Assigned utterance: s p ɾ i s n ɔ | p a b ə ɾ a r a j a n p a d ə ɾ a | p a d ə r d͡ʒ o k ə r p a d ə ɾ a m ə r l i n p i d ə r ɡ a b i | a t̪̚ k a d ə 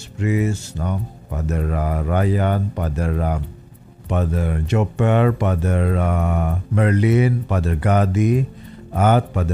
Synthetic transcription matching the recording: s p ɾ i s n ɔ | p a d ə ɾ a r a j a n p a d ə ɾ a | p a d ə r d͡ʒ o p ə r p a d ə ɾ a m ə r l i n p a d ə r ɡ a d i | a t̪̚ p a d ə